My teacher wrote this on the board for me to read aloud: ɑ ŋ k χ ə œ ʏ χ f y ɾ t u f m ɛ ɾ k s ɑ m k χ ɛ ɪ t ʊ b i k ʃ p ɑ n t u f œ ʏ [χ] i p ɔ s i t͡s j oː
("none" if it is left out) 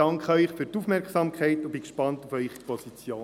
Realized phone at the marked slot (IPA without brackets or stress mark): χ